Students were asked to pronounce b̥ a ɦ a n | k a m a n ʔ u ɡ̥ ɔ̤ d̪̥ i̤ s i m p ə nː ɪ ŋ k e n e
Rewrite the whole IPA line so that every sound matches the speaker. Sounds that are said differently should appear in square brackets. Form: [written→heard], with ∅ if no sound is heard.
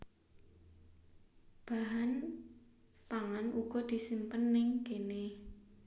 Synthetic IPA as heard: b̥ a ɦ a n | [k→p] a [m→ŋ] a n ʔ u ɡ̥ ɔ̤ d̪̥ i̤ s i m p ə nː ɪ ŋ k e n e